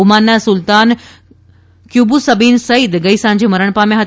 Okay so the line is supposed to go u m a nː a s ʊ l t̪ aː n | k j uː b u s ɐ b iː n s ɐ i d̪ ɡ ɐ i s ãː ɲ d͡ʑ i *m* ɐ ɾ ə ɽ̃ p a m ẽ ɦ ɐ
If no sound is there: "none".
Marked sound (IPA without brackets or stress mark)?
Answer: m